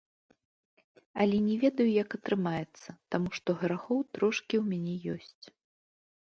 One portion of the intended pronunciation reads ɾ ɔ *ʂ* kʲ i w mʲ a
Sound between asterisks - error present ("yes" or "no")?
no